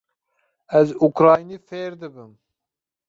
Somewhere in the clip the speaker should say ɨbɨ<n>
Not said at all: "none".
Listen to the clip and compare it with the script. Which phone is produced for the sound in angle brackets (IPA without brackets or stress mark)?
m